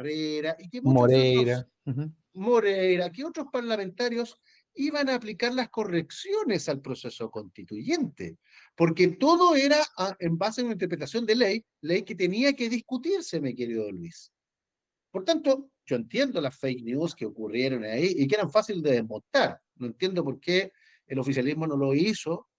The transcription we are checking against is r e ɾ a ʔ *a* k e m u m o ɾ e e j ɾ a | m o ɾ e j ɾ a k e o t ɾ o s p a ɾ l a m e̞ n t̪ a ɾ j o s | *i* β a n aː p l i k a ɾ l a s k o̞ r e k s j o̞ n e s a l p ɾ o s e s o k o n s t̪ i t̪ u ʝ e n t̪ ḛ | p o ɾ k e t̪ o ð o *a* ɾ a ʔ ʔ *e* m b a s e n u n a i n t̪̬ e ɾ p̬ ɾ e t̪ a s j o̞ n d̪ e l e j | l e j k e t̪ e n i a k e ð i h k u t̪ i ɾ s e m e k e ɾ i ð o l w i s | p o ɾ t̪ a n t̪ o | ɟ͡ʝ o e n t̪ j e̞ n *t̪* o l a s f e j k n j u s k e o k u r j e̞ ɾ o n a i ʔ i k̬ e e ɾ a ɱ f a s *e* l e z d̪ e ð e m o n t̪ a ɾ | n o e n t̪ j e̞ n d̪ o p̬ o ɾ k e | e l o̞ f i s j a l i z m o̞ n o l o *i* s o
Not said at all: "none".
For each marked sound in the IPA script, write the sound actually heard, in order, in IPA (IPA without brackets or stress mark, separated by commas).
i, i, e, e, d̪, i, i